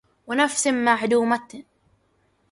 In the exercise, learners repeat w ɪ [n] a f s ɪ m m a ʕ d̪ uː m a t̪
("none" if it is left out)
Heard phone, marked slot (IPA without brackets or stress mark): n